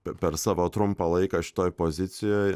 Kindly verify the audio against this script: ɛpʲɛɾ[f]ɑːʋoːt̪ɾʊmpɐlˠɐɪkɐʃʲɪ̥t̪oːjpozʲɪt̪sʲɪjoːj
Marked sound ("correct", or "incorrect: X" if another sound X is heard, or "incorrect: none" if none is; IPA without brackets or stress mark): incorrect: s